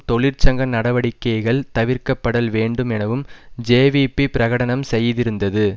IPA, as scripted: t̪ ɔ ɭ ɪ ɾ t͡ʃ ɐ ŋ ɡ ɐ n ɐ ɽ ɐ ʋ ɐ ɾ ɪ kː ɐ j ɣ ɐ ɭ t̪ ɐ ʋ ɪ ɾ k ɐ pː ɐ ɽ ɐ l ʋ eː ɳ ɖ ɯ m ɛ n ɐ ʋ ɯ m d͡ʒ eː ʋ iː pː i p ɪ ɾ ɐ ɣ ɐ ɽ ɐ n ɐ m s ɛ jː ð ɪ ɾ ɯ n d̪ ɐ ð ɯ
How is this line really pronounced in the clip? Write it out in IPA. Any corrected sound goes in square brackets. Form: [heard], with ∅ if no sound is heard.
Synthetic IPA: t̪ ɔ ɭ ɪ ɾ t͡ʃ ɐ ŋ ɡ ɐ n ɐ ɽ ɐ ʋ ɐ [ɽ] ɪ kː ɐ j ɣ ɐ ɭ t̪ ɐ ʋ ɪ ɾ k ɐ pː ɐ ɽ ɐ l ʋ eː ɳ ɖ ɯ m ɛ n ɐ ʋ ɯ m d͡ʒ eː ʋ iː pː i p ɪ ɾ ɐ ɣ ɐ ɽ ɐ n ɐ m s ɛ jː ð ɪ ɾ ɯ n d̪ ɐ ð ɯ